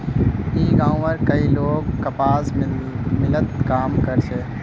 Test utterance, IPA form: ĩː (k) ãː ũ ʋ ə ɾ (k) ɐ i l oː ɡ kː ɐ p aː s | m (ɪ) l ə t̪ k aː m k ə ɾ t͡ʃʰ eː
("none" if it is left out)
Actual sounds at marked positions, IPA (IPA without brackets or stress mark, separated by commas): ɡ, k, ɪ